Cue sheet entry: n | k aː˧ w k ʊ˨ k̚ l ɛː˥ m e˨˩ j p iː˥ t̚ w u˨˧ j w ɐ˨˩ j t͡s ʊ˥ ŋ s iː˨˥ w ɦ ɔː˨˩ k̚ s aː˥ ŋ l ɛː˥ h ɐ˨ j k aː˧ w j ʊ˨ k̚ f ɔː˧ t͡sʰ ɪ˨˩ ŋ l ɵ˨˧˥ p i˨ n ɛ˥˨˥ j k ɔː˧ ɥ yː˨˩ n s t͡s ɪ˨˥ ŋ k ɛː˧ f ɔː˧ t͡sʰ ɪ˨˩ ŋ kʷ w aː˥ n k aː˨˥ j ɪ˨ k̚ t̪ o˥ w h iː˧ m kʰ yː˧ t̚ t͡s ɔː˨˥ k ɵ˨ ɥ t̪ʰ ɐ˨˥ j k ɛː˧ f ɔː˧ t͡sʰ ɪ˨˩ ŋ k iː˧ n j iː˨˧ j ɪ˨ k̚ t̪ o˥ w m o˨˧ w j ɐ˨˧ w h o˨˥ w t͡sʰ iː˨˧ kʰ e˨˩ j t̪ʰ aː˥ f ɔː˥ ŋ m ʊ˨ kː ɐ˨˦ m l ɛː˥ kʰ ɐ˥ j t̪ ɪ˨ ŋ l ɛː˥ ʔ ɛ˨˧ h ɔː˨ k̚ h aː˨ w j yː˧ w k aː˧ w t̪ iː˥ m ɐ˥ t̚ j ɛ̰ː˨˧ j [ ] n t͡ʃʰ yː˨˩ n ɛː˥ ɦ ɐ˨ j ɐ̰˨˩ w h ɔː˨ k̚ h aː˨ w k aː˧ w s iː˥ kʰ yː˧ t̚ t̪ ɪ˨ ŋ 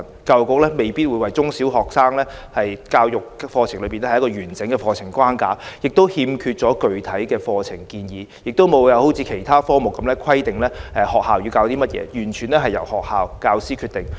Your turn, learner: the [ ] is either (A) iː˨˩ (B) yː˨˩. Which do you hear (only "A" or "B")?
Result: B